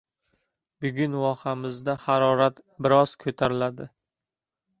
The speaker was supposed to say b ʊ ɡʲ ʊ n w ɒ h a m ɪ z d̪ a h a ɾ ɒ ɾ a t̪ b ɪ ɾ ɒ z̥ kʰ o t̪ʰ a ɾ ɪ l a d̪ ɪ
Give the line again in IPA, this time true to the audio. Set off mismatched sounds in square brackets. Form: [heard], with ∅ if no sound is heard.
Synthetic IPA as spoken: b ʊ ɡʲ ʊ n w ɒ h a m ɪ z d̪ a h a ɾ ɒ ɾ a t̪ b ɪ ɾ ɒ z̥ kʰ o t̪ʰ a ɾ ɪ l a d̪ ɪ